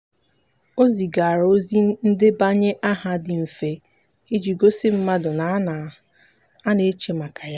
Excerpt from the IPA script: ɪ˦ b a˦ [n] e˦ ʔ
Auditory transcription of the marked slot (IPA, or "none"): ɲ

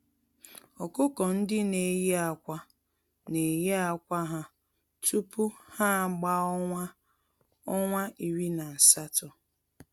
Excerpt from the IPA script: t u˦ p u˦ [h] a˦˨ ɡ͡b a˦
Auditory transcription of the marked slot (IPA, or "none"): h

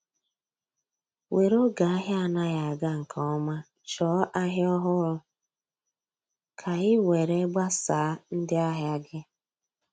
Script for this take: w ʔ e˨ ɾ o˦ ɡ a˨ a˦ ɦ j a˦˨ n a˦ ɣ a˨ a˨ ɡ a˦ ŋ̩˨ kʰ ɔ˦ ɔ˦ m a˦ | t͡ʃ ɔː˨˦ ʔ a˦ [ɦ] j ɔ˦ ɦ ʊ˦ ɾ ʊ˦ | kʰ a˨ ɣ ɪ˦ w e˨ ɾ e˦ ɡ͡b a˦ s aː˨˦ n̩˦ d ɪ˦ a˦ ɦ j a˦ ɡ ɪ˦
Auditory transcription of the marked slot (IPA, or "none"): ɦ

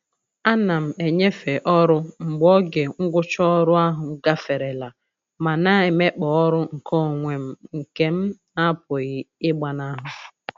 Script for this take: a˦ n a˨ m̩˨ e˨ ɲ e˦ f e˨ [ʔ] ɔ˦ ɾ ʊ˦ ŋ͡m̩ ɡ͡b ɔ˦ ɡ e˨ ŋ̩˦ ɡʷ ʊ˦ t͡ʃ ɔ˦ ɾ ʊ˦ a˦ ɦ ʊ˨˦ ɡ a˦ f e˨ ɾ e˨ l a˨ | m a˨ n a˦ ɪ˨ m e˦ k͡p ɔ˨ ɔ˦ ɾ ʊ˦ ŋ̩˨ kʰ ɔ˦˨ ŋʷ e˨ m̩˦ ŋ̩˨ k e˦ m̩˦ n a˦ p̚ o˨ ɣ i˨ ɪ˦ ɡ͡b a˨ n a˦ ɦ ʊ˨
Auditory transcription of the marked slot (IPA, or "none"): ʔ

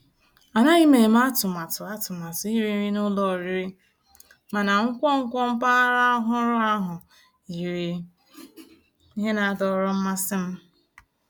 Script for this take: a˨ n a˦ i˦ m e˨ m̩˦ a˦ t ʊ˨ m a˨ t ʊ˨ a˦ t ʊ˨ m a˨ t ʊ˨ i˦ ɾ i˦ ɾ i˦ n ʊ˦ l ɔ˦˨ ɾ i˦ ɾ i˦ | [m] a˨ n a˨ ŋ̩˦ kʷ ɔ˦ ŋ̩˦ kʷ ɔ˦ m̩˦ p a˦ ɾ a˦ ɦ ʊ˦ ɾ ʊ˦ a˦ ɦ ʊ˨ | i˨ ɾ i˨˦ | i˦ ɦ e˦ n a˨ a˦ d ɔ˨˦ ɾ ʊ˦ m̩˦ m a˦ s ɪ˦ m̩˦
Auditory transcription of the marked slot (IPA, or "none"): m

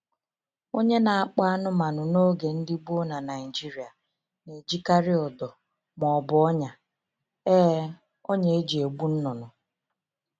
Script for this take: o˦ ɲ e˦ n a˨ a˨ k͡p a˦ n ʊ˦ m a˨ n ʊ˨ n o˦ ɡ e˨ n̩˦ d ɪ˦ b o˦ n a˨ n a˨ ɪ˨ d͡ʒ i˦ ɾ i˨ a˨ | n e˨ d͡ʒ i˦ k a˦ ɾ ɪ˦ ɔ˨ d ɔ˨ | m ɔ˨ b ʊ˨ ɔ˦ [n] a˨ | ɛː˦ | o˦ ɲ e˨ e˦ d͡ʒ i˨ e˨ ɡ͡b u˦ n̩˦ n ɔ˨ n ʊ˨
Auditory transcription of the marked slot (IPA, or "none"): ɲ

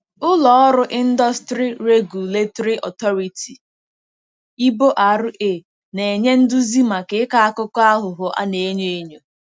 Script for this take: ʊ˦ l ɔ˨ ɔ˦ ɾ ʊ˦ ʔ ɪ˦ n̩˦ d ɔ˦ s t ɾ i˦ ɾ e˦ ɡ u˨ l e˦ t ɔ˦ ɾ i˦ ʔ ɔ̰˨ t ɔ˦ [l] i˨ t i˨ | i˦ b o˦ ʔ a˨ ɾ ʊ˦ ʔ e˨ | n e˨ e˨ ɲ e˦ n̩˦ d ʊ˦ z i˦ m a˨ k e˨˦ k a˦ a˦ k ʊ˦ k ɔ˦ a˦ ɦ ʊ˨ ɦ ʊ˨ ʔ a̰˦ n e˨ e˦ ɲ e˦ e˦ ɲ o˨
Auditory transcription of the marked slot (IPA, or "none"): ɾ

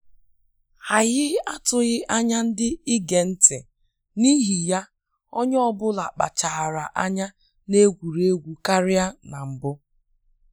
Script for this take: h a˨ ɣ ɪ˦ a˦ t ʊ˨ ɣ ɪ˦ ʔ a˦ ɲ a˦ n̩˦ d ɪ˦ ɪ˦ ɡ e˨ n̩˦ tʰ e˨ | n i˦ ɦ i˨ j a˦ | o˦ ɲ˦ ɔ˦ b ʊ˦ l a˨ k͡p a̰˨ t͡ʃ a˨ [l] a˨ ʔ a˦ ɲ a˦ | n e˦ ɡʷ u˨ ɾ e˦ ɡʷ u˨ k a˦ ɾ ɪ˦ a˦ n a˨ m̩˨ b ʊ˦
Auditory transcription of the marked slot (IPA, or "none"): ɾ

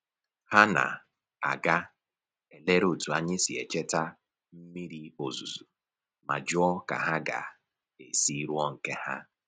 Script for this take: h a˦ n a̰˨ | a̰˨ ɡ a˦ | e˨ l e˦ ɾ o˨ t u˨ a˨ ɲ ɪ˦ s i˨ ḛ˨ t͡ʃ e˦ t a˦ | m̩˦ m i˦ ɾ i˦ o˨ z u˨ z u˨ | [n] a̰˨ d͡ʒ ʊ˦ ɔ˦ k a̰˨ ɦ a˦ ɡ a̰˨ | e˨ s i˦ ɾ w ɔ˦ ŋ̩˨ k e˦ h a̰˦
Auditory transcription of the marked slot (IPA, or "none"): m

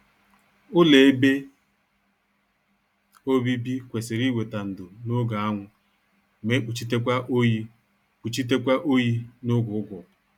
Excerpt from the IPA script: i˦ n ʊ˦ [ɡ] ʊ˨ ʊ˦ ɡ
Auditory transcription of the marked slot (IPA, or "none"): ɡ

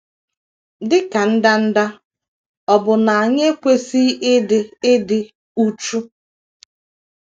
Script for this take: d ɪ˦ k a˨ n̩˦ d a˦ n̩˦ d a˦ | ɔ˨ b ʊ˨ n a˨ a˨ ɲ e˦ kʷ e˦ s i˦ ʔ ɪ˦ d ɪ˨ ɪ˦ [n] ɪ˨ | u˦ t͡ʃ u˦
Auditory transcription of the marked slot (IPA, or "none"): d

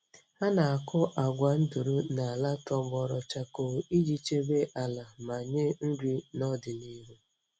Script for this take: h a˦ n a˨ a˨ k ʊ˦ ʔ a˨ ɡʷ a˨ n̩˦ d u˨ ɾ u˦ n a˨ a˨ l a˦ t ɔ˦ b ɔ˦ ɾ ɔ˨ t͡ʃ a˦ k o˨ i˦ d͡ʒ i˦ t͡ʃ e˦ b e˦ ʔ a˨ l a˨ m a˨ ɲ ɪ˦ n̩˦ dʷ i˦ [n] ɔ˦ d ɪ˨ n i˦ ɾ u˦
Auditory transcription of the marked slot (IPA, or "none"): n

